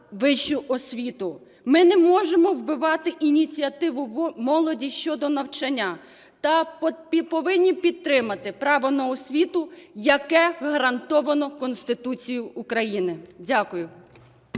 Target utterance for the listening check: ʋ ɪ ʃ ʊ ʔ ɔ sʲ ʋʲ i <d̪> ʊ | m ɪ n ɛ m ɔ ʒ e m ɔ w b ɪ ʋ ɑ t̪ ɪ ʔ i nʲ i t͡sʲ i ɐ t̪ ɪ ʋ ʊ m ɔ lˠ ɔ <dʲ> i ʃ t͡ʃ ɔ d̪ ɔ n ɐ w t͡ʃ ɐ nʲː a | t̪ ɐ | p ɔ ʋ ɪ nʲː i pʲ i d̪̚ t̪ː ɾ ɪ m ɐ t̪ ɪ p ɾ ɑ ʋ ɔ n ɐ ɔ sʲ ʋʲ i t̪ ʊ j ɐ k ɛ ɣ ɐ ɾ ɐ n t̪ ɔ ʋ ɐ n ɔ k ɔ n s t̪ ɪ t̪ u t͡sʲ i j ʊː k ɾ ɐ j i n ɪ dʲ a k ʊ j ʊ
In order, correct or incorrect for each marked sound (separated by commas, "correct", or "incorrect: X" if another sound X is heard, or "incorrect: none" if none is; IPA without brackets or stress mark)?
incorrect: t̪, correct